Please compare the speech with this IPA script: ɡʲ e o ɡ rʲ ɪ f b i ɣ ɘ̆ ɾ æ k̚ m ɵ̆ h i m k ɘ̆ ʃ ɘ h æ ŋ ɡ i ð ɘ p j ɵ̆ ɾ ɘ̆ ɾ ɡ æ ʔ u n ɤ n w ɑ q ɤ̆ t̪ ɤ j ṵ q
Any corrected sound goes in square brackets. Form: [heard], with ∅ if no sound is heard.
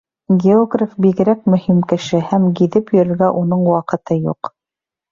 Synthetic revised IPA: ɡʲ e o ɡ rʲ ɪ f b i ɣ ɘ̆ ɾ æ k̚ m ɵ̆ h i m k ɘ̆ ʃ ɘ h æ [m] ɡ i ð ɘ p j ɵ̆ ɾ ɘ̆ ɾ ɡ æ ʔ u n ɤ [ɴ] w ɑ q ɤ̆ t̪ ɤ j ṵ q